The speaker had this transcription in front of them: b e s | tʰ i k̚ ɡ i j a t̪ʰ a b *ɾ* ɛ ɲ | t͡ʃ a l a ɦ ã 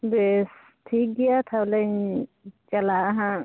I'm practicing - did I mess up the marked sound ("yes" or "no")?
yes